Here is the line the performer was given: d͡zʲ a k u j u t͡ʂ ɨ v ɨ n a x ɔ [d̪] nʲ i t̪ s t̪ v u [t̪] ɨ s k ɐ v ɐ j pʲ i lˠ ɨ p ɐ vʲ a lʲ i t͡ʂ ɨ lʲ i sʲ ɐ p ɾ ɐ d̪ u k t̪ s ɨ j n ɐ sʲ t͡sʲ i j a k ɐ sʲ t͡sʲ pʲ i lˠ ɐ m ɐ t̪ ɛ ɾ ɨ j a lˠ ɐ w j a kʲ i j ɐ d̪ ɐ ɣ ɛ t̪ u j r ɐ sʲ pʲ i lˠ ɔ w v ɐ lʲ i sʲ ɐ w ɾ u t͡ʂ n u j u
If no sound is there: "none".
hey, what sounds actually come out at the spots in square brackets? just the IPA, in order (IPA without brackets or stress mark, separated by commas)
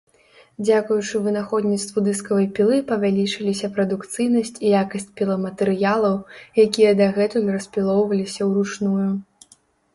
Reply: d̪, d̪